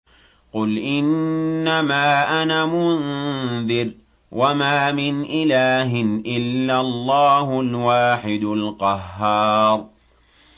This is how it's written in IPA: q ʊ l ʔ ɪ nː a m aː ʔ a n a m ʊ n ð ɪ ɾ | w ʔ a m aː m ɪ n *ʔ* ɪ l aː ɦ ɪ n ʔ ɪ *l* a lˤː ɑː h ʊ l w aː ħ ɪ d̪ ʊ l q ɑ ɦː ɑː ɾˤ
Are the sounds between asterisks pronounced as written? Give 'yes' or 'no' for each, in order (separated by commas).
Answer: yes, no